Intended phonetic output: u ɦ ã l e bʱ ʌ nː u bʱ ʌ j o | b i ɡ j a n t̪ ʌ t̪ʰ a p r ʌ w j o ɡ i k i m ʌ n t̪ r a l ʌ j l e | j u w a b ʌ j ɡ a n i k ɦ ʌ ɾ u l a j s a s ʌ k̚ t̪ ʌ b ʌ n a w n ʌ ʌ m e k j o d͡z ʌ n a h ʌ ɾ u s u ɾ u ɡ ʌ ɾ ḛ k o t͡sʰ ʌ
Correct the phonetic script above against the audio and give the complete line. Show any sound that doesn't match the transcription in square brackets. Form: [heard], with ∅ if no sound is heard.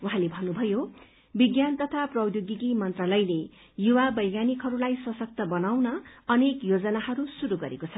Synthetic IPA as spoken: u ɦ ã l e bʱ ʌ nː u bʱ ʌ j o | b i ɡ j a n t̪ ʌ t̪ʰ a p r ʌ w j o ɡ i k i m ʌ n t̪ r a l ʌ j l e | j u w a b ʌ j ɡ a n i k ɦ ʌ ɾ u l a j s [ʌ] s ʌ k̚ t̪ ʌ b ʌ n a w n ʌ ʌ [n] e k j o d͡z ʌ n a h ʌ ɾ u s u ɾ u ɡ ʌ ɾ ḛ k o t͡sʰ ʌ